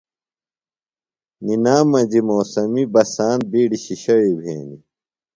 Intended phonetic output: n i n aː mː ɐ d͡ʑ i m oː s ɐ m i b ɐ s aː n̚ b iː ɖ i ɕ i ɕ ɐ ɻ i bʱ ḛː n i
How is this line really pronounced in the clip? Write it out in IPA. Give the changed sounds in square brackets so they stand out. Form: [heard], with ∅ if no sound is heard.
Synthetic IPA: n i n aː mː ɐ d͡ʑ i m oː s ɐ m i b ɐ s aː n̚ b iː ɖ i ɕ i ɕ ɐ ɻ i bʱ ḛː n i